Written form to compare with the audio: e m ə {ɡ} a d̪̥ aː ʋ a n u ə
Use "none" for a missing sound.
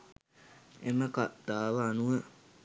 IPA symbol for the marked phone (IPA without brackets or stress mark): k